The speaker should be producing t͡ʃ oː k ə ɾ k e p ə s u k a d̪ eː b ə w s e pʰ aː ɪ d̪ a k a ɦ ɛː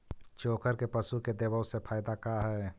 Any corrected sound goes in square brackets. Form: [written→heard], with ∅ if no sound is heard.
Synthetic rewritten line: t͡ʃ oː k ə ɾ k e p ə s u k [a→e] d̪ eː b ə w s e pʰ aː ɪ d̪ a k a ɦ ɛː